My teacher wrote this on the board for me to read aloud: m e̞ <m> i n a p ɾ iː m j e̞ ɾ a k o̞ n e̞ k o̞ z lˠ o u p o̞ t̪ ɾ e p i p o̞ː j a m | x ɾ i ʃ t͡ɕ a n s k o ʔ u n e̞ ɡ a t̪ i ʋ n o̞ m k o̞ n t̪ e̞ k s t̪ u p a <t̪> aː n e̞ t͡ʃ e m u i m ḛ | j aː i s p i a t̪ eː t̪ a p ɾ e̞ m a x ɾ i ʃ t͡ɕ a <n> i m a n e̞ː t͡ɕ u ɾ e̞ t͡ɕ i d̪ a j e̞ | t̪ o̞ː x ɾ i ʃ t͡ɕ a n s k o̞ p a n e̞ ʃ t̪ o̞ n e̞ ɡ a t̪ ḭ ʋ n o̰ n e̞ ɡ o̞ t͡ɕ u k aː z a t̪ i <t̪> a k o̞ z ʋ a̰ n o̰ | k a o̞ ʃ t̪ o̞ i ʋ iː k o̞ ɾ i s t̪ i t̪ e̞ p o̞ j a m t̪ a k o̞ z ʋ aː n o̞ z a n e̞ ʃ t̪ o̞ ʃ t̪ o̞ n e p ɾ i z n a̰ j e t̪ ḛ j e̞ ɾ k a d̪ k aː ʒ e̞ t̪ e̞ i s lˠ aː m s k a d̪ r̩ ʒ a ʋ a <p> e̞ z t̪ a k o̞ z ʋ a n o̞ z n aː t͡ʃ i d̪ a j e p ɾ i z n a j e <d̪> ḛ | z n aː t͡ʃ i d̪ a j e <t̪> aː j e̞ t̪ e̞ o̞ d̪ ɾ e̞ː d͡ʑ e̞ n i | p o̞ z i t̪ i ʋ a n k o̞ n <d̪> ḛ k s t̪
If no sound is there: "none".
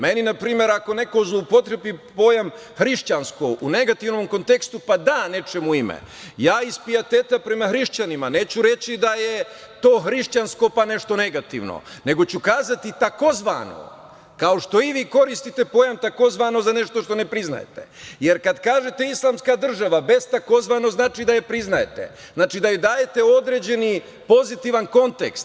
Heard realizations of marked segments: n, d̪, n, t̪, b, t̪, d̪, t̪

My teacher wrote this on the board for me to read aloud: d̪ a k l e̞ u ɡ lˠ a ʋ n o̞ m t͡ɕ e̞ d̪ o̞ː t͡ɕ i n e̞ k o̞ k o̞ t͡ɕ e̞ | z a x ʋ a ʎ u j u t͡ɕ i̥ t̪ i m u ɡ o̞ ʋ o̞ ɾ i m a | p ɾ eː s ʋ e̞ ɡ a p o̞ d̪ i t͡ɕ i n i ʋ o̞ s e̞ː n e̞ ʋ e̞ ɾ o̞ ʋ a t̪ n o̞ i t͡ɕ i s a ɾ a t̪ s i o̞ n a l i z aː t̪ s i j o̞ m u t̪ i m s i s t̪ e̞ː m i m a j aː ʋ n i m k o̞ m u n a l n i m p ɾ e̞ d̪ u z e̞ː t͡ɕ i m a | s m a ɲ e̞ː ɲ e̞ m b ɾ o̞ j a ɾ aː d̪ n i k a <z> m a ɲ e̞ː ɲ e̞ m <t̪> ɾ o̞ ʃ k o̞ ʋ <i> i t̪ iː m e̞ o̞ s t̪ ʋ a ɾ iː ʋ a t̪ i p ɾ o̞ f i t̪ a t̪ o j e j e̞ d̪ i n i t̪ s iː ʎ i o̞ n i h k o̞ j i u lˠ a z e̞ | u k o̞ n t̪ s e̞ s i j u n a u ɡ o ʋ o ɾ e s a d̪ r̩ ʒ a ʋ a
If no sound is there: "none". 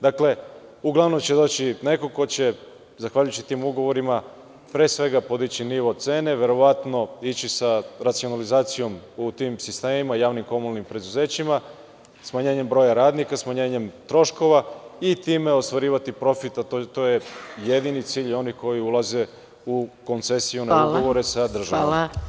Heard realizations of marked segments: s, t̪, a

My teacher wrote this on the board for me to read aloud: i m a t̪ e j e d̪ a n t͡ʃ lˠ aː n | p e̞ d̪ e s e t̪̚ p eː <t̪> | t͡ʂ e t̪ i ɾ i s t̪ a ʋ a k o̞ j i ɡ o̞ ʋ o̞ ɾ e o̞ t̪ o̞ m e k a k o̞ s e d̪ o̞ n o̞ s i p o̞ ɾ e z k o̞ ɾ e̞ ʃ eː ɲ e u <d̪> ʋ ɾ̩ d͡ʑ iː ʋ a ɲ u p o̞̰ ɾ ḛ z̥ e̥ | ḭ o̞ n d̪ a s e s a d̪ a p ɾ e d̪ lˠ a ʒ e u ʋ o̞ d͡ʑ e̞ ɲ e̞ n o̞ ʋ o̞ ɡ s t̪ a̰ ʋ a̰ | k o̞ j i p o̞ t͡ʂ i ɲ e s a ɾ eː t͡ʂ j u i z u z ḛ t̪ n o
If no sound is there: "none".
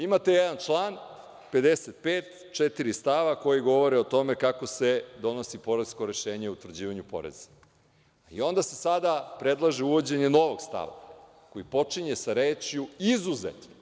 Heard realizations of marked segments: t̪, t̪

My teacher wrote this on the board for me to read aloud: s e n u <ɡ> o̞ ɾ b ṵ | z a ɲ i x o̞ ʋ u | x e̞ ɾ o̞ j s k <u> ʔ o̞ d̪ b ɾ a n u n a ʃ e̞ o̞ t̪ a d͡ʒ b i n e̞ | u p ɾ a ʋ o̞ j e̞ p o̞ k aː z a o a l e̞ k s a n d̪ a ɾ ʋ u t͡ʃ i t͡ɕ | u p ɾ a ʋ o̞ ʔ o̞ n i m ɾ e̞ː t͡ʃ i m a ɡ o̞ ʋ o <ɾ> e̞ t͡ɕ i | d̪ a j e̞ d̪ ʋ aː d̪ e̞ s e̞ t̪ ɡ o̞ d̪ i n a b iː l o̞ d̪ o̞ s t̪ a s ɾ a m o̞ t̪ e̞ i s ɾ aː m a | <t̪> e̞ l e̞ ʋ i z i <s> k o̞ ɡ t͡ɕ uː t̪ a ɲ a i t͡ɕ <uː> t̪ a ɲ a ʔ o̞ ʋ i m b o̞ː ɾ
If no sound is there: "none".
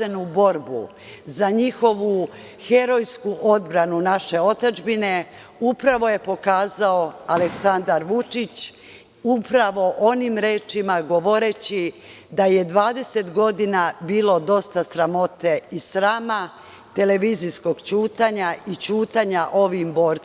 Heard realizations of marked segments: b, u, ɾ, t̪, s, uː

